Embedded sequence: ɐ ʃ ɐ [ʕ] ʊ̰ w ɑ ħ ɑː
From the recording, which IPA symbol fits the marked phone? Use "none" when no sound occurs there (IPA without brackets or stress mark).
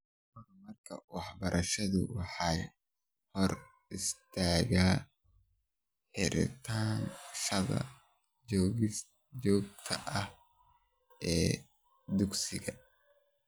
ð